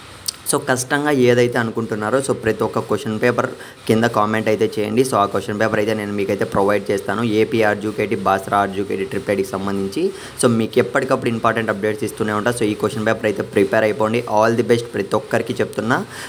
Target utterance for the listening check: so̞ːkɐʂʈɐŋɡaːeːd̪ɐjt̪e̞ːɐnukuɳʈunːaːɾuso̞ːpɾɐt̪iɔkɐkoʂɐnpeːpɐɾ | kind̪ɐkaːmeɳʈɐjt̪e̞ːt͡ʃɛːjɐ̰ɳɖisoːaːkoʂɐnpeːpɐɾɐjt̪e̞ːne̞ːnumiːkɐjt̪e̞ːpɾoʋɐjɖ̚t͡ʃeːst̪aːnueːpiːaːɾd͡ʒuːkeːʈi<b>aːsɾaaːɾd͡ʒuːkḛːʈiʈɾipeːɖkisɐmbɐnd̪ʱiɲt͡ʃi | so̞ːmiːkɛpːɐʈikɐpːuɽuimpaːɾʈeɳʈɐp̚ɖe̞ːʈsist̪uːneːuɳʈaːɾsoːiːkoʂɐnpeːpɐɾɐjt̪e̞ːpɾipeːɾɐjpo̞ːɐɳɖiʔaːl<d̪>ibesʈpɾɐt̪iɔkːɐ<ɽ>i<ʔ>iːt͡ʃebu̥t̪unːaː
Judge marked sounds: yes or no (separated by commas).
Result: yes, yes, no, no